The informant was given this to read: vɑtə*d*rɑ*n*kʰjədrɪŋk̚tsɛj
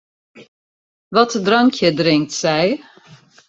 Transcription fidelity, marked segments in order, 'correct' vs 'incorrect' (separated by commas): correct, incorrect